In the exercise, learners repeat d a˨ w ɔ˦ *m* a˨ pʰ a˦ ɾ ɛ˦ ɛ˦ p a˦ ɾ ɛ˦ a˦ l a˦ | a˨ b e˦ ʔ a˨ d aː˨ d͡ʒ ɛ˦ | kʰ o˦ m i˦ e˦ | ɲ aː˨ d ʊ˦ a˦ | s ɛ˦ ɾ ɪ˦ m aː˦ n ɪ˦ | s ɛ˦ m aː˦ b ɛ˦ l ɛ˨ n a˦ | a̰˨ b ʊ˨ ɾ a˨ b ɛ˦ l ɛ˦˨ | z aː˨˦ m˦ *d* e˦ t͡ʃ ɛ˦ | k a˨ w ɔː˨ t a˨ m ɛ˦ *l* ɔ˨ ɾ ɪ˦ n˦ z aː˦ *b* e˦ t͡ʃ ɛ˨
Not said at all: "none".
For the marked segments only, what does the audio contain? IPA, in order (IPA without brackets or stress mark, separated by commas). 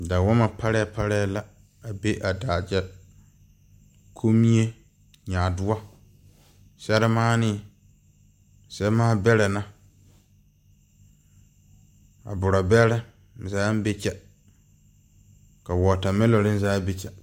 m, b, l, b